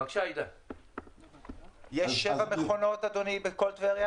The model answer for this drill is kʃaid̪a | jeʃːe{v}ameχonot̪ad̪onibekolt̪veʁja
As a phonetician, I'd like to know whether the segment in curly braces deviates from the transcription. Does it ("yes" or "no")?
no